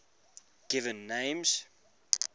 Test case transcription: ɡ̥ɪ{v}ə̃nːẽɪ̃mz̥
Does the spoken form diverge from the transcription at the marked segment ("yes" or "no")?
no